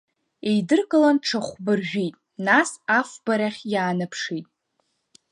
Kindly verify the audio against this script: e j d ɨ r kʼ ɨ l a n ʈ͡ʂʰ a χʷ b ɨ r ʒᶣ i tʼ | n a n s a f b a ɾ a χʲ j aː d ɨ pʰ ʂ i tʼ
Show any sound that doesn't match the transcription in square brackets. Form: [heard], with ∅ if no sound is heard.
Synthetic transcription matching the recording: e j d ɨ r kʼ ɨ l a n ʈ͡ʂʰ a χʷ b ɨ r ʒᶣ i tʼ | n a [∅] s a f b a ɾ a χʲ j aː [n] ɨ pʰ ʂ i tʼ